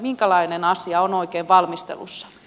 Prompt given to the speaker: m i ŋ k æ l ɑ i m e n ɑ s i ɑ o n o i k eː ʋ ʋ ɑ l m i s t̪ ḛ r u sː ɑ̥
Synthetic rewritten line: m i ŋ k æ l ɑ i n e n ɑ s i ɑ o n o i k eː ʋ ʋ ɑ l m i s t̪ ḛ l u sː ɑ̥